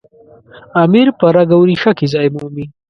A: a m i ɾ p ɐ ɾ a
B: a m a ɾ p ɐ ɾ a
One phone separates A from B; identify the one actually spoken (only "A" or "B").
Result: A